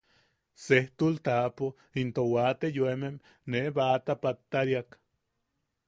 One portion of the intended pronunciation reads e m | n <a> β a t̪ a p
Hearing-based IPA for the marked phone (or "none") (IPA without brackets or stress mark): e